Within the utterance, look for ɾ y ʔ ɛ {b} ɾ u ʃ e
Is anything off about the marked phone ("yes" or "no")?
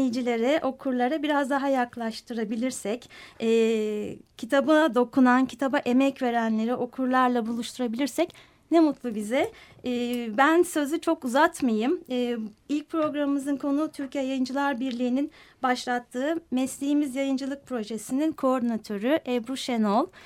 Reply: no